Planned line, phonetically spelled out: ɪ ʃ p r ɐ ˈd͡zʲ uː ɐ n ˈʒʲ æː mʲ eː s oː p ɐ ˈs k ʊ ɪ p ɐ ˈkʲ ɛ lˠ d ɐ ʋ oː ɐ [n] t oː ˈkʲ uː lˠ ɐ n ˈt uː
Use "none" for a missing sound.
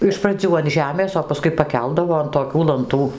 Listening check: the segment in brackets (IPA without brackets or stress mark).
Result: n